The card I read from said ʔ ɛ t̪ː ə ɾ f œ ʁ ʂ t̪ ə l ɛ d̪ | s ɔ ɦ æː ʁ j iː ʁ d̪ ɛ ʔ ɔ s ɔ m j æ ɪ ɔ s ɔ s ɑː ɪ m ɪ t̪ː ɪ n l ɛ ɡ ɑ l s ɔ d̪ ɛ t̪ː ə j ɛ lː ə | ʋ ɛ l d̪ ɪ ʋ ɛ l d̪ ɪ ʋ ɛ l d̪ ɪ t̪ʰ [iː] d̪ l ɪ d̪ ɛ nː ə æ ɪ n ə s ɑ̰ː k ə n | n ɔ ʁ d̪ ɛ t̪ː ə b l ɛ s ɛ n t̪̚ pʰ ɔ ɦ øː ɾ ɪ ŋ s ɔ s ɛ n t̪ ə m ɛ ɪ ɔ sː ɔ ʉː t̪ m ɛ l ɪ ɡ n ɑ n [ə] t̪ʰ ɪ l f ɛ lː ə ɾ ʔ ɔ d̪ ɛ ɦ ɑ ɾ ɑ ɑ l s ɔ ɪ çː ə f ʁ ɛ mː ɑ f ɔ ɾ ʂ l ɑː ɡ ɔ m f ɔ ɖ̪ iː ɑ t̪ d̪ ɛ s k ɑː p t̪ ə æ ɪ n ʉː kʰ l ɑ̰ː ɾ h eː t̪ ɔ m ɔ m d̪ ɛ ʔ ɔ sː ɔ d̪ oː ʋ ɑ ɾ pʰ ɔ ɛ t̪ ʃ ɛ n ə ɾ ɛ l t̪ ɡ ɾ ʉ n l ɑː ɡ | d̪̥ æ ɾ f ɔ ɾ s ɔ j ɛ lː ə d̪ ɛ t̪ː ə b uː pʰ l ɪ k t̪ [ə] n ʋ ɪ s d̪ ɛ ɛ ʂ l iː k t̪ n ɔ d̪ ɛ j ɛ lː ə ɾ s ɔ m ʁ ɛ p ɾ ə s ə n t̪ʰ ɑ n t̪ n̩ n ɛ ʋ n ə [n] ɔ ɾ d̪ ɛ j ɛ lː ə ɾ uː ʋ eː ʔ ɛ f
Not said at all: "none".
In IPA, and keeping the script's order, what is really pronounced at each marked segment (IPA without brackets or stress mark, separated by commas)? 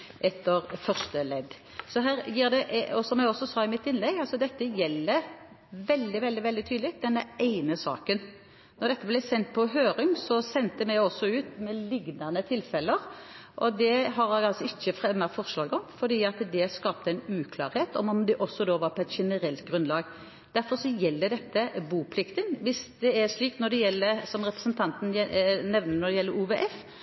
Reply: yː, ə, ə, n